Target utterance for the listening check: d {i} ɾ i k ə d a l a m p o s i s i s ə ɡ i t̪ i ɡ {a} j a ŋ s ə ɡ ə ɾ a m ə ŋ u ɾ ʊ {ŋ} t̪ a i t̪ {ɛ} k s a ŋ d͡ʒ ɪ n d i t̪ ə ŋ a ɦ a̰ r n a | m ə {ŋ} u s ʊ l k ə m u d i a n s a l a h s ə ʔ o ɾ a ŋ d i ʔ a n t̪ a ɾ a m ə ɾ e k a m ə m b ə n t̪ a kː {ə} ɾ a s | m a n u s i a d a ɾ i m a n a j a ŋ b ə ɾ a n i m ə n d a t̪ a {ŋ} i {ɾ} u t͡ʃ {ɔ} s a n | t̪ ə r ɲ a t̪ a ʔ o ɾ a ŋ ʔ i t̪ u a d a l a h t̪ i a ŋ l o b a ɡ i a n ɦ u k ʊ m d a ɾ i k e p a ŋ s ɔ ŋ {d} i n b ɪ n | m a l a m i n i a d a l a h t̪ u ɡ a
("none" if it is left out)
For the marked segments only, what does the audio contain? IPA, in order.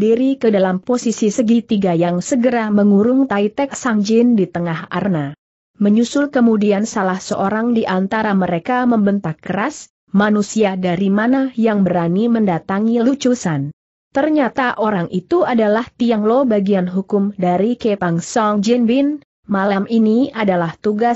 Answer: i, a, ŋ, ɛ, ɲ, ə, ŋ, l, u, d͡ʒ

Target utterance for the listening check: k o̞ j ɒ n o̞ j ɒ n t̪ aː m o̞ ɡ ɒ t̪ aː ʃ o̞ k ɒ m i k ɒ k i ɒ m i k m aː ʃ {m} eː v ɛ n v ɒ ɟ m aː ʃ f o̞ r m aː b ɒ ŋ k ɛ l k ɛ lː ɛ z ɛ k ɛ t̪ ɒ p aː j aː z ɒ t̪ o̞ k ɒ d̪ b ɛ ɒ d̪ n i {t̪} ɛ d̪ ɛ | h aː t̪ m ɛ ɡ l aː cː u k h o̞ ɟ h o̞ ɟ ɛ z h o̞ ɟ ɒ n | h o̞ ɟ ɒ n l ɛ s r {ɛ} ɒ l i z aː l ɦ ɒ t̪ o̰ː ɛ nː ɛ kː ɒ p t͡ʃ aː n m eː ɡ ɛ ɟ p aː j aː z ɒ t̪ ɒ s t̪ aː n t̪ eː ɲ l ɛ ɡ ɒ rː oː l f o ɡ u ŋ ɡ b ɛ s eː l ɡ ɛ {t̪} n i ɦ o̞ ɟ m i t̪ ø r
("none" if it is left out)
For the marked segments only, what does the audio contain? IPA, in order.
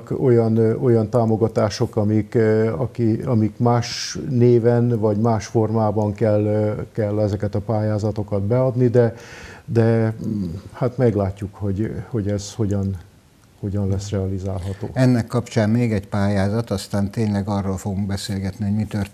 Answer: n, d̪, ɛ, t̪

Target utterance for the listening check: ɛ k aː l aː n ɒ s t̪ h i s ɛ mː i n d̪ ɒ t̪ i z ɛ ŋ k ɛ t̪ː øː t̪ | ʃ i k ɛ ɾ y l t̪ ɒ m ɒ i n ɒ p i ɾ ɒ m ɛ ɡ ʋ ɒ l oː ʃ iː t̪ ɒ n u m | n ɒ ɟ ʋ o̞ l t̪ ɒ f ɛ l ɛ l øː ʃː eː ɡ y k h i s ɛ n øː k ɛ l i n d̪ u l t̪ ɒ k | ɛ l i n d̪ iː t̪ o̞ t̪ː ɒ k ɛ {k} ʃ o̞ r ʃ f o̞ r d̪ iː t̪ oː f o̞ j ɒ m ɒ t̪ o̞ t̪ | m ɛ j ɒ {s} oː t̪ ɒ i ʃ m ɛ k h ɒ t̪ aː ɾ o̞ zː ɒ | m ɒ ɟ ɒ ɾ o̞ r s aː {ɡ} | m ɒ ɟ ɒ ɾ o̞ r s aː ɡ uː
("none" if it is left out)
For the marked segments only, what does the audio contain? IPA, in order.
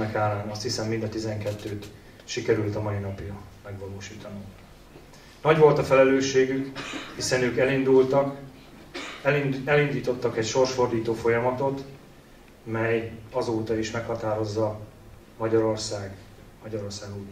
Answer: c, z, ɡ

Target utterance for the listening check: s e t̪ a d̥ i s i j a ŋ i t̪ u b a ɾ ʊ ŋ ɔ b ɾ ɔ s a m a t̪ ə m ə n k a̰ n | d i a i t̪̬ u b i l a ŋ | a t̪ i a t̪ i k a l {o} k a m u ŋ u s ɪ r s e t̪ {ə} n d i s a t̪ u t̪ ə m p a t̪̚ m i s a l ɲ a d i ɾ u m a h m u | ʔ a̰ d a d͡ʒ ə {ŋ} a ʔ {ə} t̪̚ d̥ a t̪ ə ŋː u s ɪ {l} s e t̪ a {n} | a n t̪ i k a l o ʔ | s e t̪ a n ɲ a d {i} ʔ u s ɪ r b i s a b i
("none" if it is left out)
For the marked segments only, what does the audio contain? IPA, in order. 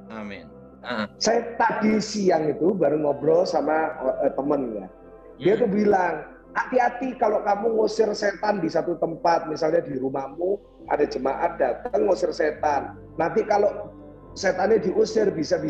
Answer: o, a, m, a, r, nː, i

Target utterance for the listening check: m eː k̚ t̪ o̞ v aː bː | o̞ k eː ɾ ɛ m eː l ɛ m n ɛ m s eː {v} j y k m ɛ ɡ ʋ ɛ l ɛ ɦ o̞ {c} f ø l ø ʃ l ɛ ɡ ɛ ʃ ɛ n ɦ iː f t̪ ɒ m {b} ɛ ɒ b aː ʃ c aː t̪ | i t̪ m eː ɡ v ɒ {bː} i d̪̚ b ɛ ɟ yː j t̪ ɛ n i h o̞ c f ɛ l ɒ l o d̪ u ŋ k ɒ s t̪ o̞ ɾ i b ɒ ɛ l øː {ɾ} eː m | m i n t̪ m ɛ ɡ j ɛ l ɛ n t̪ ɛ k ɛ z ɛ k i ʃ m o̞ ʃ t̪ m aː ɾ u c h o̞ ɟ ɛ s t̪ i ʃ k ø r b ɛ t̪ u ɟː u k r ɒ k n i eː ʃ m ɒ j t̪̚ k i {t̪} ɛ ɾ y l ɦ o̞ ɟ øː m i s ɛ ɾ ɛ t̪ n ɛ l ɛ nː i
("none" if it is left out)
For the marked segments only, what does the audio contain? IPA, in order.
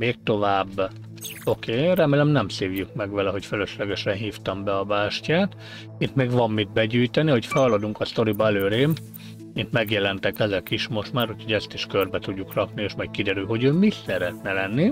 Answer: v, c, b, mː, ɾ, d̪

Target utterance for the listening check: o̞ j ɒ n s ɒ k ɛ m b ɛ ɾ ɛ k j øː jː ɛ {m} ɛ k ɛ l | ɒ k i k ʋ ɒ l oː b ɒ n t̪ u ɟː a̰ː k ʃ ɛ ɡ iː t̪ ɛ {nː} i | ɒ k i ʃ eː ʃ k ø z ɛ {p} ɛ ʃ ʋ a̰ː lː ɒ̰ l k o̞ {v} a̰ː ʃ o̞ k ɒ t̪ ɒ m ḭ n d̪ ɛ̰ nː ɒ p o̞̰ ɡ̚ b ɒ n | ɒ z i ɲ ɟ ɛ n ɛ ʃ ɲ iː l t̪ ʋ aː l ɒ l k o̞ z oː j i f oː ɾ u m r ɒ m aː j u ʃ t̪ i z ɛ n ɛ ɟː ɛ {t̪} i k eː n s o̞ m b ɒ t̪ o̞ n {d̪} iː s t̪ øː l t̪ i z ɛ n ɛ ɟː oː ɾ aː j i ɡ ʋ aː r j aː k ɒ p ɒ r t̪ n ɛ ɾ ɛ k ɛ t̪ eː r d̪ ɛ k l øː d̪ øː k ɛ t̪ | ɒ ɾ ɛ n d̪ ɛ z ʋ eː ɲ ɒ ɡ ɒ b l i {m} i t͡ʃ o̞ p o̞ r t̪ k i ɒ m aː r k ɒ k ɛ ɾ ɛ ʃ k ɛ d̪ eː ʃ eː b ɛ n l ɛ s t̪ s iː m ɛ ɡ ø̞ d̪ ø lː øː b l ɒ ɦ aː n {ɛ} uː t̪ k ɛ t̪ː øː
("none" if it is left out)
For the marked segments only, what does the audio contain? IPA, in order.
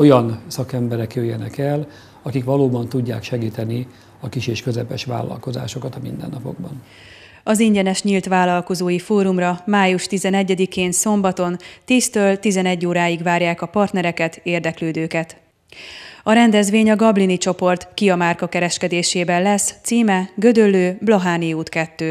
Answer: n, n, p, z, d̪, t̪, n, i

